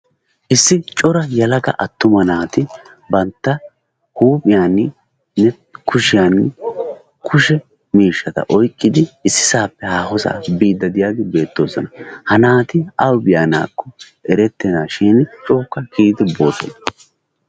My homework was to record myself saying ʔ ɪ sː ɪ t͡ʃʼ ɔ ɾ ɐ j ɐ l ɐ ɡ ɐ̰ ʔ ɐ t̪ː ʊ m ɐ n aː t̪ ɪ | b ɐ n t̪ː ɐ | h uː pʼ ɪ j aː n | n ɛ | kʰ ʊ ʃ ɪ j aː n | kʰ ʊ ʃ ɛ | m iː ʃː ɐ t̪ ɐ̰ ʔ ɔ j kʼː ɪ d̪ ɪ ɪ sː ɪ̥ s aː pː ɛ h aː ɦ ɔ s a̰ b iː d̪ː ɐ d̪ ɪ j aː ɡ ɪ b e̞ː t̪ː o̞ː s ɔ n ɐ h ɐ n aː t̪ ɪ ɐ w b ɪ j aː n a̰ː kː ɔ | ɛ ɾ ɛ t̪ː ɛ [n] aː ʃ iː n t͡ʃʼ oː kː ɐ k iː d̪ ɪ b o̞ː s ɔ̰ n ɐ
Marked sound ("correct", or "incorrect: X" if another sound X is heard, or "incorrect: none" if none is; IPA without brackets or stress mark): correct